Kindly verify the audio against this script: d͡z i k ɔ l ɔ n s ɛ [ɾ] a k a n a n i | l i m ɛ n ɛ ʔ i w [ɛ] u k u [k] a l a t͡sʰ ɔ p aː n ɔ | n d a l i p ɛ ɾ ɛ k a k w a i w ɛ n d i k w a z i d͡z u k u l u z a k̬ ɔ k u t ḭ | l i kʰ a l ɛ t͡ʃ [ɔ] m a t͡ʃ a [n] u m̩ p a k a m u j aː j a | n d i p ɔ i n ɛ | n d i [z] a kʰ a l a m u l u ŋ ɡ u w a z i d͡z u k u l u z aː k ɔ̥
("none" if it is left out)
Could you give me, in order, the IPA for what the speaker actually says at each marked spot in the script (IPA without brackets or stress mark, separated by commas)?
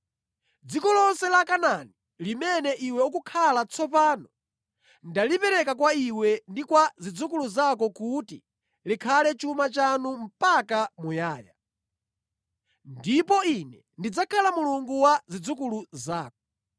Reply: l, ɛ, kʰ, u, n, d͡z